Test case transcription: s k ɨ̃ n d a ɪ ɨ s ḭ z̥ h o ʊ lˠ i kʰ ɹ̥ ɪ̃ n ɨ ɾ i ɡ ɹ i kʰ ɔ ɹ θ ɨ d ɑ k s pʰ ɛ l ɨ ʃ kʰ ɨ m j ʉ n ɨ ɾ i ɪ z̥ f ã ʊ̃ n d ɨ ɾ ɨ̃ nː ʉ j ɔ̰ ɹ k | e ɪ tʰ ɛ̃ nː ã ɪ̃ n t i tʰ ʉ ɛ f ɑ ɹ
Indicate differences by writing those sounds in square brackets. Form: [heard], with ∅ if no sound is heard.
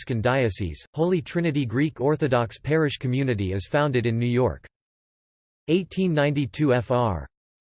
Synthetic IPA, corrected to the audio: s k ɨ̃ n d a ɪ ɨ s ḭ z̥ h o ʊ lˠ i [tʰ] ɹ̥ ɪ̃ n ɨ ɾ i ɡ ɹ i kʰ ɔ ɹ θ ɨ d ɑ k s pʰ ɛ [ɹ] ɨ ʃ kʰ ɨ m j ʉ n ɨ ɾ i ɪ z̥ f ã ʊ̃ n d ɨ ɾ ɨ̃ nː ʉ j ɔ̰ ɹ k | e ɪ tʰ [ĩ] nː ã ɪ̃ n t i tʰ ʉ ɛ f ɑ ɹ

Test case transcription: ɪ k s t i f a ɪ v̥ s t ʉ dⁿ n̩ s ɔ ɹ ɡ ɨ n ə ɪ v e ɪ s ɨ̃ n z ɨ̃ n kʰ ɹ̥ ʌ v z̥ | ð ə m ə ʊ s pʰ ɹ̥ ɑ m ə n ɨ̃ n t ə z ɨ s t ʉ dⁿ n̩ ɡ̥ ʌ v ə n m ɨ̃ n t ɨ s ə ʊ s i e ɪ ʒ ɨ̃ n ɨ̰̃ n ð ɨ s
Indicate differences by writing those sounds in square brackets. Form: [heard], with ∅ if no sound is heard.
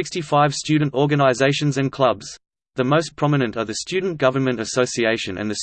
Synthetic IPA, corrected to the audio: ɪ k s t i f a ɪ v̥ s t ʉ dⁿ n̩ [t] ɔ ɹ ɡ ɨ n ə ɪ [z] e ɪ [ʃ] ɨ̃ n z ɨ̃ n kʰ [l̥] ʌ [b] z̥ | ð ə m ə ʊ s pʰ ɹ̥ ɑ m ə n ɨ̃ n t ə [ð] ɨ s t ʉ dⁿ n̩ ɡ̥ ʌ v ə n m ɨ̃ n t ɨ s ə ʊ s i e ɪ [ʃ] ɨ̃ n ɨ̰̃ n ð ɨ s

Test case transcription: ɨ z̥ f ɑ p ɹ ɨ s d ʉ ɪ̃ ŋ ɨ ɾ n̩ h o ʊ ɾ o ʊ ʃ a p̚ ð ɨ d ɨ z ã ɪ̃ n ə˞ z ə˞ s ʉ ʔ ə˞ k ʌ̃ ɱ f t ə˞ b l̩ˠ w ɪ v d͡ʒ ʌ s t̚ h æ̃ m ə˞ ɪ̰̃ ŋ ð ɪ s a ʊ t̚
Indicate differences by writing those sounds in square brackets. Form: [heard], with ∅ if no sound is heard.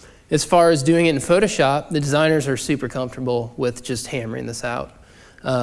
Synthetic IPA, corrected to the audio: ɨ z̥ f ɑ [∅] ɹ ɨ [z] d ʉ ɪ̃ ŋ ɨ ɾ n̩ [f] o ʊ ɾ o ʊ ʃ [ɑ] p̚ ð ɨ d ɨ z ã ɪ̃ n ə˞ z ə˞ s ʉ [p] ə˞ [kʰ] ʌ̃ ɱ f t ə˞ b l̩ˠ w ɪ [ð] d͡ʒ ʌ s t̚ h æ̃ m ə˞ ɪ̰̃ ŋ ð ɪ s a ʊ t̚

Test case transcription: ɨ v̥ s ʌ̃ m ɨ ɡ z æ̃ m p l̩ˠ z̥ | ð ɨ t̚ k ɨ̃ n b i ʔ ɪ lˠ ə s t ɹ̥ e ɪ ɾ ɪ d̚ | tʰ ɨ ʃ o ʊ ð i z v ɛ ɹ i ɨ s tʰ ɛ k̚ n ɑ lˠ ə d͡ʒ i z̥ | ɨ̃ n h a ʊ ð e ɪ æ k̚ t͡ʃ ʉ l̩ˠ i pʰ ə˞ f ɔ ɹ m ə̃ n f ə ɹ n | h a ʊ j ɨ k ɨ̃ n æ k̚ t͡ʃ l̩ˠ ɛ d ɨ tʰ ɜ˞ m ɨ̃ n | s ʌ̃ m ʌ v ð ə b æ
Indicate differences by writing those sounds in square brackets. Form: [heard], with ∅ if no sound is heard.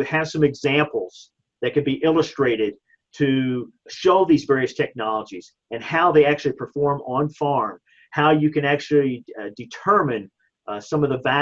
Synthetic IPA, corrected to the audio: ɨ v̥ s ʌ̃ m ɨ ɡ z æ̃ m p l̩ˠ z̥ | ð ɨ t̚ k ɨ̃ n b i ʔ ɪ lˠ ə s t ɹ̥ e ɪ ɾ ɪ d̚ | tʰ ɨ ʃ o ʊ ð i z v ɛ ɹ i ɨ s tʰ ɛ k̚ n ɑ lˠ ə d͡ʒ i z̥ | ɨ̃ n h a ʊ ð e ɪ æ k̚ t͡ʃ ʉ l̩ˠ i pʰ ə˞ f ɔ ɹ m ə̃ n f [ɑ] ɹ [m] | h a ʊ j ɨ k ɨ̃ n æ k̚ t͡ʃ l̩ˠ [i] d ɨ tʰ ɜ˞ m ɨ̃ n | s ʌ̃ m ʌ v ð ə [v] æ

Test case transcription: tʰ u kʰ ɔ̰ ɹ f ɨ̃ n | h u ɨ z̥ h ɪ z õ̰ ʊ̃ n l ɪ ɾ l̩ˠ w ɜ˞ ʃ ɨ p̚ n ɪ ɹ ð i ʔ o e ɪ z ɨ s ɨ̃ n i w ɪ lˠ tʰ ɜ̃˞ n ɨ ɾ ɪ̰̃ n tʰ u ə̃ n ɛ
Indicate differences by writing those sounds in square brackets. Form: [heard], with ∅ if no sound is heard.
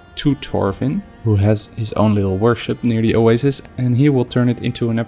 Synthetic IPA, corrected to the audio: tʰ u [tʰ] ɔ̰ ɹ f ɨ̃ n | h u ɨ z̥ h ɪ z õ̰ ʊ̃ n l ɪ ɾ l̩ˠ w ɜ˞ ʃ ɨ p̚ n ɪ ɹ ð i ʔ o e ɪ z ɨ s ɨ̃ n i w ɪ lˠ tʰ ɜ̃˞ n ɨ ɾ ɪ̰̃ n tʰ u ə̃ n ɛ

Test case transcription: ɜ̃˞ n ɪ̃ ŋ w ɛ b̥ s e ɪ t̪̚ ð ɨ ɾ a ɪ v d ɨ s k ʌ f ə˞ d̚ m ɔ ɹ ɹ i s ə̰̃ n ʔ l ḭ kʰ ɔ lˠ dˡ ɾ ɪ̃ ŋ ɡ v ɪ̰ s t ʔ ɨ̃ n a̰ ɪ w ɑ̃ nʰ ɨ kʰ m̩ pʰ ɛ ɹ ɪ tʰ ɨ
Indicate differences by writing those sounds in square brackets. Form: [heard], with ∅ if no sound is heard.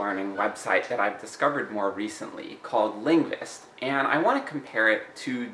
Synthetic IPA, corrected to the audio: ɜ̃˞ n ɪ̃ ŋ w ɛ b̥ s [a] ɪ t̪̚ ð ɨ ɾ a ɪ v d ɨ s k ʌ [v] ə˞ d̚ m ɔ ɹ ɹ i s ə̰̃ n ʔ l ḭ kʰ ɔ lˠ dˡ [l] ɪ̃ ŋ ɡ v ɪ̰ s t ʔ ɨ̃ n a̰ ɪ w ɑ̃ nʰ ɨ kʰ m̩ pʰ ɛ ɹ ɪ tʰ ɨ

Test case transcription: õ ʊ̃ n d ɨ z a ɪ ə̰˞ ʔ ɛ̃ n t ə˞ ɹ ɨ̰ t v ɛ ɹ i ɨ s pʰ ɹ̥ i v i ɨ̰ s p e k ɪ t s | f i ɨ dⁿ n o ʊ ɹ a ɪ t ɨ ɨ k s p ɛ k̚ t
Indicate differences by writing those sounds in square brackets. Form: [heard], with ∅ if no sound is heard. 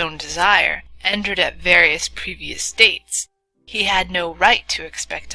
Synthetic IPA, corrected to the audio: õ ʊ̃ n d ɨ z a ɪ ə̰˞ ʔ ɛ̃ n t ə˞ [ɾ] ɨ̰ t v ɛ ɹ i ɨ s pʰ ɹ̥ i v i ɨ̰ s [t] e [∅] ɪ t s | [h] i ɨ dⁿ n o ʊ ɹ a ɪ [tʰ] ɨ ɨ k s p ɛ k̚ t

